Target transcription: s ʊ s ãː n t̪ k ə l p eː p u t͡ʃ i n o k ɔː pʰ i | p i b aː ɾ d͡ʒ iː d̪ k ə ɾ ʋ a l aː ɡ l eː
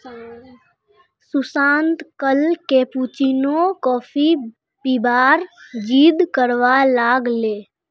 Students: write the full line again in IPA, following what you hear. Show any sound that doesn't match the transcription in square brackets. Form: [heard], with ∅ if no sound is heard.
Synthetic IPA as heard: s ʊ s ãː n t̪ k ə l [k] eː p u t͡ʃ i n o k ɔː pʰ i | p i b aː ɾ d͡ʒ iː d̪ k ə ɾ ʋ a l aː ɡ l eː